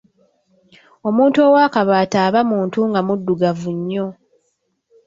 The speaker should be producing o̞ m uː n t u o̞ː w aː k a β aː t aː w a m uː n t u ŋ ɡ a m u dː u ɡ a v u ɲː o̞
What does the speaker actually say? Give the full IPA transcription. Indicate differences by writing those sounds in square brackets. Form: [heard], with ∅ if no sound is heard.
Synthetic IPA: o̞ m uː n t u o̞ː w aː k a β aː t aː [β] a m uː n t u ŋ ɡ a m u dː u ɡ a v u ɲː o̞